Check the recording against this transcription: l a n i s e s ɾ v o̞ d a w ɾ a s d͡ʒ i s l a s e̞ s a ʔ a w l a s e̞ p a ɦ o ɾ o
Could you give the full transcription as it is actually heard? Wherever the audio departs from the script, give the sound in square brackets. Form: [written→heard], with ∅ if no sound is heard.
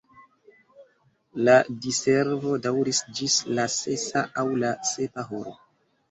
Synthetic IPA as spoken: l a [n→d] i s e [s→∅] ɾ v o̞ d a w ɾ [a→i] s d͡ʒ i s l a s e̞ s a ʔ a w l a s e̞ p a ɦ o ɾ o